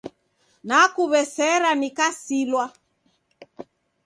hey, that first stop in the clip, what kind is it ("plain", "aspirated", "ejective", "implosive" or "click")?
plain